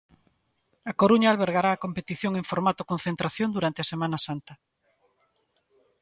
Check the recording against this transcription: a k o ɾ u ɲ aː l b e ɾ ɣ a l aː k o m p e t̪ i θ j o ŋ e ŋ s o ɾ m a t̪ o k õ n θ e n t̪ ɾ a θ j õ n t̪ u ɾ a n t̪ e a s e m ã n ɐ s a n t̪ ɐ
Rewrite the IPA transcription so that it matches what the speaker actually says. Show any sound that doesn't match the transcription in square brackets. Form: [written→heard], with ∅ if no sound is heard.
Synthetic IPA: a k o ɾ u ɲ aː l [b→β] e ɾ ɣ a [l→ɾ] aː k o m p e t̪ i θ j o ŋ e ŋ [s→f] o ɾ m a t̪ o k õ n θ e n t̪ ɾ a θ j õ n [t̪→d̪] u ɾ a n t̪ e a s e m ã n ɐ s a n t̪ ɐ

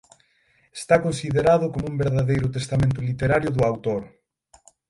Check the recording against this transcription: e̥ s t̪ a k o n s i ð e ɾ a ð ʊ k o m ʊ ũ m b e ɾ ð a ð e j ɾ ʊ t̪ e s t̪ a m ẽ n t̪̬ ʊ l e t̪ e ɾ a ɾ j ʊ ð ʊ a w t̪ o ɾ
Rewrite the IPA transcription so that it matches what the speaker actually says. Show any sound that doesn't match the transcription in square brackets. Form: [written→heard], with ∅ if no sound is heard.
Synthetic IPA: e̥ s t̪ a k o n s i ð e ɾ a ð ʊ k o m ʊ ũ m b e ɾ ð a ð e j ɾ ʊ t̪ e s t̪ a m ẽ n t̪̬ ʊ l [e→i] t̪ e ɾ a ɾ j ʊ ð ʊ a w t̪ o ɾ

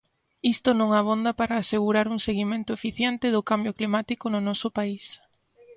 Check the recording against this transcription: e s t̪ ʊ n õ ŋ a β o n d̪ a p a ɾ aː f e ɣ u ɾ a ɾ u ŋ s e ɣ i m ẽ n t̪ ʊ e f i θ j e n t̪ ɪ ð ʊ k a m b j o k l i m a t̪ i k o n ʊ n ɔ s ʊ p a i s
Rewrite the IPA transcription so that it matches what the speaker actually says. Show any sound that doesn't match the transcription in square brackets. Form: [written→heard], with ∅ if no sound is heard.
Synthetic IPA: [e→i] s t̪ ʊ n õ ŋ a β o n d̪ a p a ɾ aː [f→s] e ɣ u ɾ a ɾ u ŋ s e ɣ i m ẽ n t̪ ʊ e f i θ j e n t̪ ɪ ð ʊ k a m b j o k l i m a t̪ i k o n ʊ n ɔ s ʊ p a i s

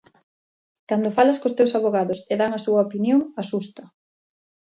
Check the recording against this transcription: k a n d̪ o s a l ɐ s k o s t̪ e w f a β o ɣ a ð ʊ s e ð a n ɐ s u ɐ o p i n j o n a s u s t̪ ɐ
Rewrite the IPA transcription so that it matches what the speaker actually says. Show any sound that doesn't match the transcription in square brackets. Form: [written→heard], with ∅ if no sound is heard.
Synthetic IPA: k a n d̪ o [s→f] a l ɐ s k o s t̪ e w [f→s] a β o ɣ a ð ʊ s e ð a [n→ŋ] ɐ s u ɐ o p i n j o [n→ŋ] a s u s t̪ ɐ

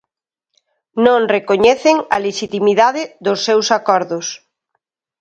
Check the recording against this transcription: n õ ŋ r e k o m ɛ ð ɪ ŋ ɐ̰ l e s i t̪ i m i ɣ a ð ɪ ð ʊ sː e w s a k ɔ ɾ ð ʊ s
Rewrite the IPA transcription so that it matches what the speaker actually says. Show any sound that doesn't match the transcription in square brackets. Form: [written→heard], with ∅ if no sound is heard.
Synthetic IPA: n õ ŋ r e k o [m→ɲ] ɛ [ð→θ] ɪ ŋ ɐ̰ l e [s→ʃ] i t̪ i m i [ɣ→ð] a ð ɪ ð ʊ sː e w s a k ɔ ɾ ð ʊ s

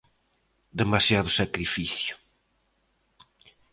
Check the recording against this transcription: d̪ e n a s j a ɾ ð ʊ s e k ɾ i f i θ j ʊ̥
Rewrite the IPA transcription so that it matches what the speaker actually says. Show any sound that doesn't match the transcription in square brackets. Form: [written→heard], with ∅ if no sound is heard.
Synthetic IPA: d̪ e [n→m] a s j a [ɾ→∅] ð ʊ s [e→a] k ɾ i f i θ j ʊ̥

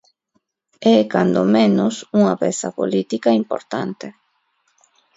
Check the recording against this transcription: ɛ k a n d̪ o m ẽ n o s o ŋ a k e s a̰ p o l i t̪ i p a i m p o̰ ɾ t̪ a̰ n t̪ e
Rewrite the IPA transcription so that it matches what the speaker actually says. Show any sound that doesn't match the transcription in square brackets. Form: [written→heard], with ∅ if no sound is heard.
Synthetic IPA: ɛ k a n d̪ o m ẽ n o s [o→u] ŋ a [k→p] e s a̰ p o l i t̪ i [p→k] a i m p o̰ ɾ t̪ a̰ n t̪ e

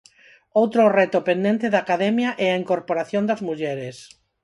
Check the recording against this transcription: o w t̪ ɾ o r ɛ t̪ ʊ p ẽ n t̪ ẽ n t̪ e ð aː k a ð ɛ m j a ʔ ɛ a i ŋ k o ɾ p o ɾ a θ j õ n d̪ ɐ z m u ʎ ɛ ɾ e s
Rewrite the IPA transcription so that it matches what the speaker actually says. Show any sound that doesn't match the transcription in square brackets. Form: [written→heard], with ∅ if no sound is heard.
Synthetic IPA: o w t̪ ɾ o r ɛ t̪ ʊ p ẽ n [t̪→d̪] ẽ n t̪ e ð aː k a ð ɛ m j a ʔ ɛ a i ŋ k o ɾ p o ɾ a θ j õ n d̪ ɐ z m u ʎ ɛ ɾ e s

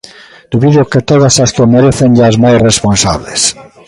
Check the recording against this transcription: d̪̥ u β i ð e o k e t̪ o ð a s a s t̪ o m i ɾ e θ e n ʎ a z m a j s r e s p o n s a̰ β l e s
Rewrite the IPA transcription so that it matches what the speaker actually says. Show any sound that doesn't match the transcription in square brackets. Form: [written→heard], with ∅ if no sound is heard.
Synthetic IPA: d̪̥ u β i ð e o k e t̪ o ð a s a s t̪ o m [i→e] ɾ e θ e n ʎ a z m a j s r e s p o n s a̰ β l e s

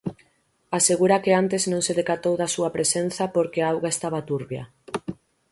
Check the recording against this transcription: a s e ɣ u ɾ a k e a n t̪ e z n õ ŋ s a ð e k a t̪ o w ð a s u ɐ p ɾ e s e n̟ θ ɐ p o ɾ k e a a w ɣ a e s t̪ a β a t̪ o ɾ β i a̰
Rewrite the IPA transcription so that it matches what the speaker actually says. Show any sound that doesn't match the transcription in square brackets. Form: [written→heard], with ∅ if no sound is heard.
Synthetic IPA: a s e ɣ u ɾ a k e a n t̪ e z n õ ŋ s [a→e] ð e k a t̪ o w ð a s u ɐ p ɾ e s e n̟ θ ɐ p o ɾ k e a a w ɣ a e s t̪ a β a t̪ [o→u] ɾ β [i→j] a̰

